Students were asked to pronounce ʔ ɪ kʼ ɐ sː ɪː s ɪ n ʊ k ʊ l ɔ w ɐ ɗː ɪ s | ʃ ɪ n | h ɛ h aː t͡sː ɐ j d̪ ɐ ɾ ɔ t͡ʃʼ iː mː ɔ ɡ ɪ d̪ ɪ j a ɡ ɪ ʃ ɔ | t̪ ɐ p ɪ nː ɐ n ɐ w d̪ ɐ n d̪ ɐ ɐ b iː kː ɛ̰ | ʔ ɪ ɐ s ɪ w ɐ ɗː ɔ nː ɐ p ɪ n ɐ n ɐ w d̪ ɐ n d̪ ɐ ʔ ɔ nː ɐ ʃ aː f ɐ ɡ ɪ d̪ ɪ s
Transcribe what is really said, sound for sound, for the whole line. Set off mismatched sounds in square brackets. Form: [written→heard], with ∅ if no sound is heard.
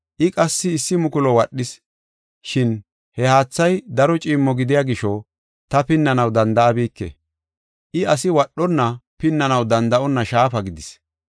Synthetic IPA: ʔ ɪ kʼ ɐ sː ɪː [s→sː] ɪ [n→m] ʊ k ʊ l ɔ w ɐ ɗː ɪ s | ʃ ɪ n | h ɛ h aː t͡sː ɐ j d̪ ɐ ɾ ɔ t͡ʃʼ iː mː ɔ ɡ ɪ d̪ ɪ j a ɡ ɪ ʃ ɔ | t̪ ɐ p ɪ nː ɐ n ɐ w d̪ ɐ n d̪ ɐ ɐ b iː kː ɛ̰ | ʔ ɪ ɐ s ɪ w ɐ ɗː ɔ nː ɐ p ɪ [n→nː] ɐ n ɐ w d̪ ɐ n d̪ ɐ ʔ ɔ nː ɐ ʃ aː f ɐ ɡ ɪ d̪ ɪ s